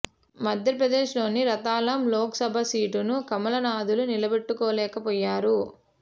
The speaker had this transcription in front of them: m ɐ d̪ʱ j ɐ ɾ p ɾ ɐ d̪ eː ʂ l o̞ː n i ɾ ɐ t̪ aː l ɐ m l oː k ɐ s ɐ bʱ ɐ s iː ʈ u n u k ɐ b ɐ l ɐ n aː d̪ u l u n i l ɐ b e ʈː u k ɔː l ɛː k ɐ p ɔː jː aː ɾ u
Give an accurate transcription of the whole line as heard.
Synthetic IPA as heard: m ɐ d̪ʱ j ɐ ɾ p ɾ ɐ d̪ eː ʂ l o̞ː n i ɾ ɐ t̪ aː l ɐ m l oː k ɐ s ɐ bʱ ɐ s iː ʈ u n u k ɐ m ɐ l ɐ n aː d̪ u l u n i l ɐ b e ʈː u k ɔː l ɛː k ɐ p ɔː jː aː ɾ u